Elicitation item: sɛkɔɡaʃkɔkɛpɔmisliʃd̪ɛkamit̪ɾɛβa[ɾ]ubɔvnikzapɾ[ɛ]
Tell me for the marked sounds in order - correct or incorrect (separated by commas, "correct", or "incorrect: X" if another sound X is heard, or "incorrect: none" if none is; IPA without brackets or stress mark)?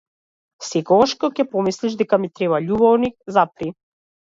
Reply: incorrect: ʎ, incorrect: i